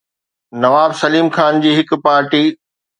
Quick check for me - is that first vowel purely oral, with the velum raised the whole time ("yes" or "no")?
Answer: yes